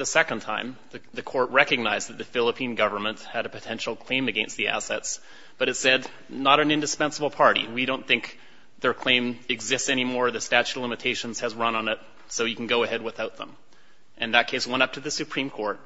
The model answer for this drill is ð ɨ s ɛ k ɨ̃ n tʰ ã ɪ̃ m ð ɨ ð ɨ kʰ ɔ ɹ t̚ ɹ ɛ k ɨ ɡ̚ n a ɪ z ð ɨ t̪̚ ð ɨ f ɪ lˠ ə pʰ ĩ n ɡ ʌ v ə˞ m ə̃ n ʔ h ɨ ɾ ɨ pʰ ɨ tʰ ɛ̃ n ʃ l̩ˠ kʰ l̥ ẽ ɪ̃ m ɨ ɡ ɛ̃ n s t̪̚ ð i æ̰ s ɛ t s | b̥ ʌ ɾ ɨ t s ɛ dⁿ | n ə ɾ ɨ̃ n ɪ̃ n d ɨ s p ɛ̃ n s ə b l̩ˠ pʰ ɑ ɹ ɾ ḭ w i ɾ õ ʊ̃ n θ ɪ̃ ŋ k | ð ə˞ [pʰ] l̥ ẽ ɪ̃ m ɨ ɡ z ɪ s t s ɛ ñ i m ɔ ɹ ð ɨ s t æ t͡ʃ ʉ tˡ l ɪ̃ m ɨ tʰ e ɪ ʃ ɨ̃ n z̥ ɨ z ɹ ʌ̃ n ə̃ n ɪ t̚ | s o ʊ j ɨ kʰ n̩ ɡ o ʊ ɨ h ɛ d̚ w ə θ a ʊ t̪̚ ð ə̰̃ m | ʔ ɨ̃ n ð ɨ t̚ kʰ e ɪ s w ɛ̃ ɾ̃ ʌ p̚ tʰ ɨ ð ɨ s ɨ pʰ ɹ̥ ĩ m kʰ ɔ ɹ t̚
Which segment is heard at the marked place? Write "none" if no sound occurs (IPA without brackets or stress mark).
kʰ